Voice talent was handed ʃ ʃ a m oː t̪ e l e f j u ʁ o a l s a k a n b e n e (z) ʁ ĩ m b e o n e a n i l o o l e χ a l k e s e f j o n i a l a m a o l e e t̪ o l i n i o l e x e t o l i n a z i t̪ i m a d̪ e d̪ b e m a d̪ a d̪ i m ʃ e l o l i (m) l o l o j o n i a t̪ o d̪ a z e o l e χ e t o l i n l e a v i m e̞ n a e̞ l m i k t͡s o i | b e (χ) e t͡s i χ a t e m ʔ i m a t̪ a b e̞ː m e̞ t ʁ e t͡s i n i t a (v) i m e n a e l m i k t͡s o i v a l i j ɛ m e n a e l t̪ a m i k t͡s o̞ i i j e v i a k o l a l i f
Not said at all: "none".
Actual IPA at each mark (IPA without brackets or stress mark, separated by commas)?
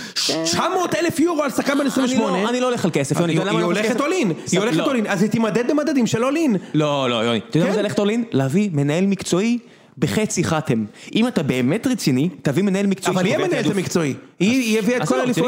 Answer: s, n, χ, v